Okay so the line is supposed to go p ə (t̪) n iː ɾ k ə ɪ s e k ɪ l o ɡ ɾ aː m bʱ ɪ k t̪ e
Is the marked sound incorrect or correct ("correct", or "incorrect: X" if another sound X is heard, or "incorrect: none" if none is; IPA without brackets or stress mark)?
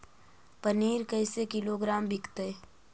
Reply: incorrect: none